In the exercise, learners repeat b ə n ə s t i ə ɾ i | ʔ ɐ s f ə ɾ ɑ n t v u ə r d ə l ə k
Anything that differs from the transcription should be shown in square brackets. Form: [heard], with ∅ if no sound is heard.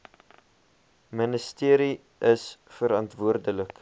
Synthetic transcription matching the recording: [m] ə n ə s t i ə ɾ i | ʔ [ə] s f ə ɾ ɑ n t v u ə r d ə l ə k